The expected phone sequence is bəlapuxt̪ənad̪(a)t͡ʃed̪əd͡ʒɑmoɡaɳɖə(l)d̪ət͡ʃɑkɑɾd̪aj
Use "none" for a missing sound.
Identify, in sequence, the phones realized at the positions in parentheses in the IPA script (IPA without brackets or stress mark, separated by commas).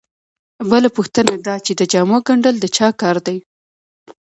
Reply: ɑ, l